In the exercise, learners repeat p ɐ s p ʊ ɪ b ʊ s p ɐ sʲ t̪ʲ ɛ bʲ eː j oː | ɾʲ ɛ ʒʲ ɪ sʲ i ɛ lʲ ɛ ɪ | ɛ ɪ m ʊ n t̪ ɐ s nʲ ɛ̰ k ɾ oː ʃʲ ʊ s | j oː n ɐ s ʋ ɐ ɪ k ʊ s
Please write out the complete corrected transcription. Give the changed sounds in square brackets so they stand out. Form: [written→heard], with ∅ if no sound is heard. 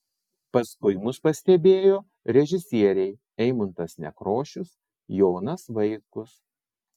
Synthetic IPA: p ɐ s [p→k] ʊ ɪ [b→m] ʊ s p ɐ sʲ t̪ʲ ɛ bʲ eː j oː | ɾʲ ɛ ʒʲ ɪ sʲ i ɛ [lʲ→ɾʲ] ɛ ɪ | ɛ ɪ m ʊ n t̪ ɐ s nʲ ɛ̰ k ɾ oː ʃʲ ʊ s | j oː n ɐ s ʋ ɐ ɪ k ʊ s